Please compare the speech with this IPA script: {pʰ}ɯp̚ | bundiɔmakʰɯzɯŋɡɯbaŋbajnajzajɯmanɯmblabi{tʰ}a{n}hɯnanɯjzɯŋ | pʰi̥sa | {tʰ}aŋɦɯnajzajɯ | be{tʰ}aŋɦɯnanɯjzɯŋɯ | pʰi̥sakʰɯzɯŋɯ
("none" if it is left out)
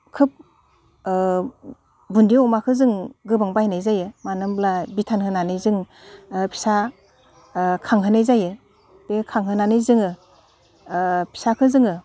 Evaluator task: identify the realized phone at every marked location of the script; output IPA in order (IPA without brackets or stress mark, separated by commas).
kʰ, tʰ, n, kʰ, kʰ